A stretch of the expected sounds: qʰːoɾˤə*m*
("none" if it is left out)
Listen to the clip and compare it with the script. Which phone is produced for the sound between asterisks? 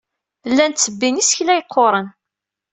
n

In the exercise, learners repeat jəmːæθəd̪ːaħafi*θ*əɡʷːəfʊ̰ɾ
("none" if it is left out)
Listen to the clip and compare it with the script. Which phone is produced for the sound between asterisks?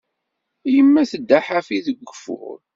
ð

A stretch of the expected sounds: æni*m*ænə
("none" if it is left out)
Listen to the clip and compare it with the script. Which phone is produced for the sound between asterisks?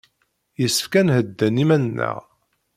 m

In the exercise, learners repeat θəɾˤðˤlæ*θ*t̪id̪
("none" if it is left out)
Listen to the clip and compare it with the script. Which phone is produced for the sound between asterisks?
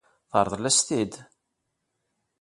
s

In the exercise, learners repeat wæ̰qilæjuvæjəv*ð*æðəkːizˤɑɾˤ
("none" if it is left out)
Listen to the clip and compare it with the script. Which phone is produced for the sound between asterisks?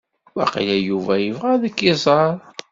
ʁ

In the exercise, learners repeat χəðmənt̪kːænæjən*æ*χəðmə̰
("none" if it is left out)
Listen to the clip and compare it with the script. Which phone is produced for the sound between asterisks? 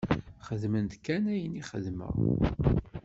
i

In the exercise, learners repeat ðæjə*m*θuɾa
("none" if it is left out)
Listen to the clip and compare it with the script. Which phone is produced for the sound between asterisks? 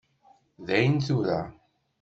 n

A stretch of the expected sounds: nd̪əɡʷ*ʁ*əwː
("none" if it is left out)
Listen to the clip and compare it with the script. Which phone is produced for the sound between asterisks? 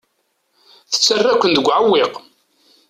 ʕ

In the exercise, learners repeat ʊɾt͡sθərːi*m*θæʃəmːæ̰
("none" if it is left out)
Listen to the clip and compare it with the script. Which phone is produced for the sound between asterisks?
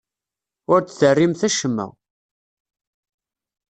m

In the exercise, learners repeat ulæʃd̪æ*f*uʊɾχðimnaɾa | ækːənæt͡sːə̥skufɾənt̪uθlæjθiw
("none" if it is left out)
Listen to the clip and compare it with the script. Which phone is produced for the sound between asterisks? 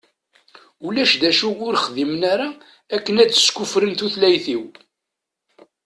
ʃ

